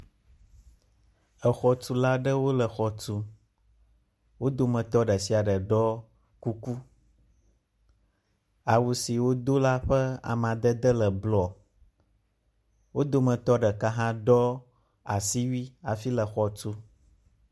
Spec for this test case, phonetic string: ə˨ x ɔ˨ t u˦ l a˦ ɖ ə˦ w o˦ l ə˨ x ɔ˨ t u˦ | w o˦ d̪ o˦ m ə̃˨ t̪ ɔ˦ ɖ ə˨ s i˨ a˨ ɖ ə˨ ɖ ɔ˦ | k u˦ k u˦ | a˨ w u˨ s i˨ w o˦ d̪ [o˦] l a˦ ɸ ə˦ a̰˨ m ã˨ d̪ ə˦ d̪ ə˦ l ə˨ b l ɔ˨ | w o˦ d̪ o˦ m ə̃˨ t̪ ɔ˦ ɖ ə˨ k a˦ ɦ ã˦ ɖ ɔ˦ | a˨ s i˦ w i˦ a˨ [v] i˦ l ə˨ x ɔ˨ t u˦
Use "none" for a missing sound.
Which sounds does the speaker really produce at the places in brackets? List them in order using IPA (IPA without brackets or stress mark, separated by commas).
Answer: o˦, f